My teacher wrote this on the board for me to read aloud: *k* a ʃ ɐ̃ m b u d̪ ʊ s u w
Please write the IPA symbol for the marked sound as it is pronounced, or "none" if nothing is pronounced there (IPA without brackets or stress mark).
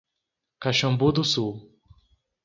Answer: k